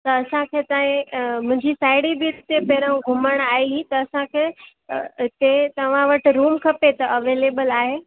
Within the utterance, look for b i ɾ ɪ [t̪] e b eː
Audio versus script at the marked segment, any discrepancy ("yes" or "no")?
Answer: no